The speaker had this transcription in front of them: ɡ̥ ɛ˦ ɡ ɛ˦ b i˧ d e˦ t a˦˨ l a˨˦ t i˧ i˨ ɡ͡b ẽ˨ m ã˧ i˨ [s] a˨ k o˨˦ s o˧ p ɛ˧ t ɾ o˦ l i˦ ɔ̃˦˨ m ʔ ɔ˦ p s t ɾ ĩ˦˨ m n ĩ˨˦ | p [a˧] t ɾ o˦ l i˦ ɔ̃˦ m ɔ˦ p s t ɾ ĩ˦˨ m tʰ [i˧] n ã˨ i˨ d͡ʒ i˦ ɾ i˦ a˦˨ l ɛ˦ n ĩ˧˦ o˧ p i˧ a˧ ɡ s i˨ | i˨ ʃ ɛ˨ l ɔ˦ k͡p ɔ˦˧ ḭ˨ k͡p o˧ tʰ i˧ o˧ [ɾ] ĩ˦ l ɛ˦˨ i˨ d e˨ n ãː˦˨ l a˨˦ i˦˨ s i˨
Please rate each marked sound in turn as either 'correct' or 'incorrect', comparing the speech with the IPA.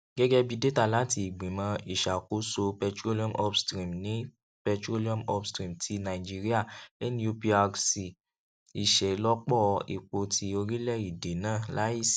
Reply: incorrect, incorrect, correct, correct

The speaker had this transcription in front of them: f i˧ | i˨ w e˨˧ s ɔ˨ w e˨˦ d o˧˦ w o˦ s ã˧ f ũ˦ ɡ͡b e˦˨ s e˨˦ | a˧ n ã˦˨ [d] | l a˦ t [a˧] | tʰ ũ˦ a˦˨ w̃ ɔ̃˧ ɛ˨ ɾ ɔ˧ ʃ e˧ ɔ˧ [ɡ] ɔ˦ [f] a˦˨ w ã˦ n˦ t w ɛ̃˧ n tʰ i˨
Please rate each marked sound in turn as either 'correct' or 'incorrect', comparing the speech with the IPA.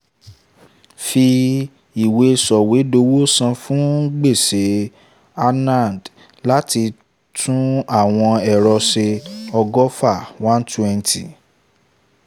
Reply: correct, incorrect, correct, correct

